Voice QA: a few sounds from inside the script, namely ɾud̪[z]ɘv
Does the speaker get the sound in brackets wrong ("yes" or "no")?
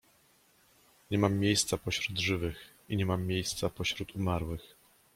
yes